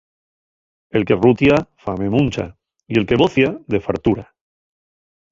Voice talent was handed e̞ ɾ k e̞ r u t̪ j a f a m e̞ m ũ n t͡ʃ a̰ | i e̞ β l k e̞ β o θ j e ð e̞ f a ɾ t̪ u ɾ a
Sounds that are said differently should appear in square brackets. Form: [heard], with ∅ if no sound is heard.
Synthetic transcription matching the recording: e̞ [l] k e̞ r u t̪ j a f a m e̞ m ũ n t͡ʃ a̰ | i e̞ [∅] l k e̞ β o θ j [a] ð e̞ f a ɾ t̪ u ɾ a